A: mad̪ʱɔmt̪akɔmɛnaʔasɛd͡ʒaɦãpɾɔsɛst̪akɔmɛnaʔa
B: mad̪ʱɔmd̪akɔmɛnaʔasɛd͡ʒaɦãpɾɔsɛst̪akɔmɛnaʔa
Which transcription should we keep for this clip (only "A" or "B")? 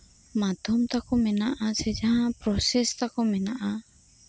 A